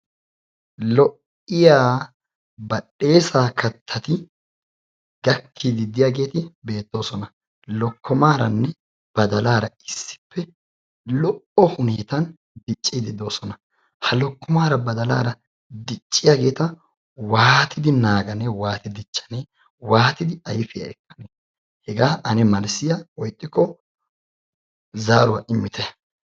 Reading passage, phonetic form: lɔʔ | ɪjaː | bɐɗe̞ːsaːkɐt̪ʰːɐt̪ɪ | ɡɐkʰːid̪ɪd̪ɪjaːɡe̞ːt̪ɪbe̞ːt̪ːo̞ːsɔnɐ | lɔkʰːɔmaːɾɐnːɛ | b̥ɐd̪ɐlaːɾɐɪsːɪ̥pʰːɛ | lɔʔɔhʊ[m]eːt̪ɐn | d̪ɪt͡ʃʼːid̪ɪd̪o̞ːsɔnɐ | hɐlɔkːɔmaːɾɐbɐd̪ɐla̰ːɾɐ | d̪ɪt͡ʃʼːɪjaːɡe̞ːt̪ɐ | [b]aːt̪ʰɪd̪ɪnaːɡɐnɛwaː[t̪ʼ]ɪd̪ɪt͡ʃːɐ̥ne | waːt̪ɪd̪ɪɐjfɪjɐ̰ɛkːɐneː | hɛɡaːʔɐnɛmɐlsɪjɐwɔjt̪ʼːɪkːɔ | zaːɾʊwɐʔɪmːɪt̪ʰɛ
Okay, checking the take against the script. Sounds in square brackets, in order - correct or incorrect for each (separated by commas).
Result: incorrect, incorrect, incorrect